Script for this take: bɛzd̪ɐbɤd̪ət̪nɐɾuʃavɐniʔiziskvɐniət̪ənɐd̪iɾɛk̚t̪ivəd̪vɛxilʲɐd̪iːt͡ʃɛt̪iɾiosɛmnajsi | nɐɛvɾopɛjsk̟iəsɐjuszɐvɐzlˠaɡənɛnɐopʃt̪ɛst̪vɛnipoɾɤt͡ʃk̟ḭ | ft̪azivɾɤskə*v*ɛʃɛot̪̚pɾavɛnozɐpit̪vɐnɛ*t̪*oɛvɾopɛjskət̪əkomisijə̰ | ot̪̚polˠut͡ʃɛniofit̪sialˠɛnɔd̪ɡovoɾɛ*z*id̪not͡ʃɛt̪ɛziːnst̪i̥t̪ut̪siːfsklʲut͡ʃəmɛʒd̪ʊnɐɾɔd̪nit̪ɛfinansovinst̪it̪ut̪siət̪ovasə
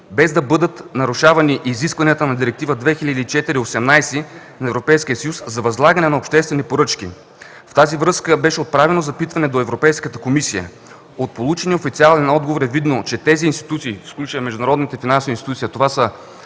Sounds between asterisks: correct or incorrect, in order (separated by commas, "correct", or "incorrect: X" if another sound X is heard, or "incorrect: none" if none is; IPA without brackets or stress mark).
incorrect: b, incorrect: d̪, incorrect: v